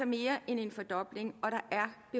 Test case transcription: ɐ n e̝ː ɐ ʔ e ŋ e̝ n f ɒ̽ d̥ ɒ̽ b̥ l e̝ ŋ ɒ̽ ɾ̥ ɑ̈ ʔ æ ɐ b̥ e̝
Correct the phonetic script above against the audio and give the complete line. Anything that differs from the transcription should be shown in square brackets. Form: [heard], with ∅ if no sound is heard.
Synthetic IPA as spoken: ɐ [m] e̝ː ɐ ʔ e [n] e̝ n f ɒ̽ d̥ ɒ̽ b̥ l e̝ ŋ ɒ̽ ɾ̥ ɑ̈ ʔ æ ɐ b̥ e̝